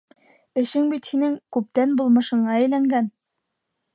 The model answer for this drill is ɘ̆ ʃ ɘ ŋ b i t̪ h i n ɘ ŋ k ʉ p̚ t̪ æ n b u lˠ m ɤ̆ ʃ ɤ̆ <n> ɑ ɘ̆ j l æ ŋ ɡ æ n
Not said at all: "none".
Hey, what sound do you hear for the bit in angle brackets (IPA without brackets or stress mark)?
ɴ